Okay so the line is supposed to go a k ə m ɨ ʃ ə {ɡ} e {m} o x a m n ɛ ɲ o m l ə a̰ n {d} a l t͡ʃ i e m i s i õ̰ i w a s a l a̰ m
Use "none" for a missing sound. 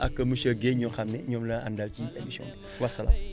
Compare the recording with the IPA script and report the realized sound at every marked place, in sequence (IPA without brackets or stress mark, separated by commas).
ɡ, ɲ, d